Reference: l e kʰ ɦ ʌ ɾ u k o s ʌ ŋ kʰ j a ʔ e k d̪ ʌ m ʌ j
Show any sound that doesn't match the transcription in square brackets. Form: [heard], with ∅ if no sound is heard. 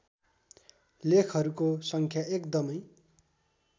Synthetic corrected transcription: l e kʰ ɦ ʌ ɾ u k o s ʌ ŋ kʰ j a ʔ e k d̪ ʌ m ʌ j